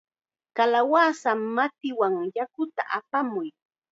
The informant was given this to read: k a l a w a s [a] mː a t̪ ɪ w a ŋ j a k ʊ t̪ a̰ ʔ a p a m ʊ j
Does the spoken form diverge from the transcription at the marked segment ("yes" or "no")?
no